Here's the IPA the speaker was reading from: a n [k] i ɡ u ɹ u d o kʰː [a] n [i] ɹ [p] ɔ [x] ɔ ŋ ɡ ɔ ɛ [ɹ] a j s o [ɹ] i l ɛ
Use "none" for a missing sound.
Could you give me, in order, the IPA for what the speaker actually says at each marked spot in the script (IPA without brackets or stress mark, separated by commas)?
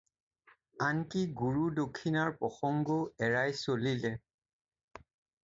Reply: k, i, a, p, x, ɹ, l